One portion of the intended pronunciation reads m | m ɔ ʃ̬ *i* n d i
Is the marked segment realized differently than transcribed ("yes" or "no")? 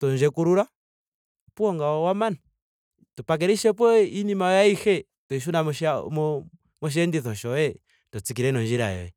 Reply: yes